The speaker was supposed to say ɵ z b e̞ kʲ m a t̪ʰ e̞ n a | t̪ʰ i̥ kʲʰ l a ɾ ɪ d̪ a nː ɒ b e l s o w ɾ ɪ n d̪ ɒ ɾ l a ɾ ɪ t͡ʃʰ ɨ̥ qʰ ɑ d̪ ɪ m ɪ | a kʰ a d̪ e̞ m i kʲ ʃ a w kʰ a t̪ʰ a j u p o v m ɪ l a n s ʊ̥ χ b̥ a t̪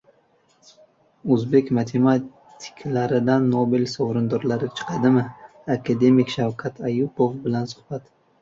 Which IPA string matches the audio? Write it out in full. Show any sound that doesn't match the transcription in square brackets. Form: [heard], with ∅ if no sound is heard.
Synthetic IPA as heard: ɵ z b e̞ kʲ m a t̪ʰ e̞ [m] a | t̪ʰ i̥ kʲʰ l a ɾ ɪ d̪ a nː [o] b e l s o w ɾ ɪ n d̪ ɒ ɾ l a ɾ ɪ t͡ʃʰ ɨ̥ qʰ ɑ d̪ ɪ m ɪ | a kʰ a d̪ e̞ m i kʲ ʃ a w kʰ a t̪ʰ a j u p o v [b] ɪ l a n s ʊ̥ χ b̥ a t̪